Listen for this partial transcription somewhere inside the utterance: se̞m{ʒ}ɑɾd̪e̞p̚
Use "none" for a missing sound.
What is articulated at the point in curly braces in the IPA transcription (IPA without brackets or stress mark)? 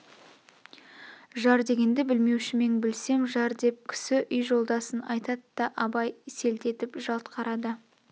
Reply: ʒ